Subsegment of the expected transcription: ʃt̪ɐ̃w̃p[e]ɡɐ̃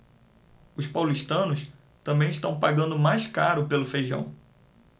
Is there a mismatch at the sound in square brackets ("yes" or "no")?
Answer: yes